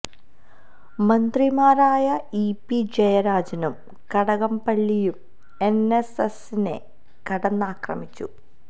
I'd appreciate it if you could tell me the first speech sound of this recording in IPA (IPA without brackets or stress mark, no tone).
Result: m